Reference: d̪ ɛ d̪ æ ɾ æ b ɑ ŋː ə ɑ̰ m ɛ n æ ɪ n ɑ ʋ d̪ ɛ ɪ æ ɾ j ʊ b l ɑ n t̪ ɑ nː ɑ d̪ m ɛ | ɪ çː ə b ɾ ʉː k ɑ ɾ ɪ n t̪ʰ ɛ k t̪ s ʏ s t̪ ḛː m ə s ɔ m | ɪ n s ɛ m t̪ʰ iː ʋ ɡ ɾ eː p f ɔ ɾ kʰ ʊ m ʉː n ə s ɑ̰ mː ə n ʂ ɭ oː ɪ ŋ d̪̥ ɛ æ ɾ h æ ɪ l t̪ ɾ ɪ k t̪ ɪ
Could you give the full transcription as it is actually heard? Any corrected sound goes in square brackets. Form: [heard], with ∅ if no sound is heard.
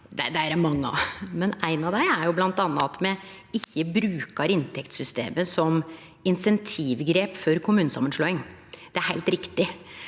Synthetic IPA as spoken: d̪ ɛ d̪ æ ɾ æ [m] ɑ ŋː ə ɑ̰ m ɛ n æ ɪ n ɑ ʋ d̪ [æ] ɪ æ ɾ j ʊ b l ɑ n t̪ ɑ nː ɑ [t̪] m ɛ | ɪ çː ə b ɾ ʉː k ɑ ɾ ɪ n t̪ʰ ɛ k t̪ s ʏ s t̪ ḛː m ə s ɔ m | ɪ n s ɛ [n] t̪ʰ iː ʋ ɡ ɾ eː p f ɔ ɾ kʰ ʊ m ʉː n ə s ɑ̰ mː ə n ʂ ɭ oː ɪ ŋ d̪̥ ɛ æ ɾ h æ ɪ l t̪ ɾ ɪ k t̪ ɪ